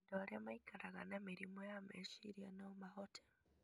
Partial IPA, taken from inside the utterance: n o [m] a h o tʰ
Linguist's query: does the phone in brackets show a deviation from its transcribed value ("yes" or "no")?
no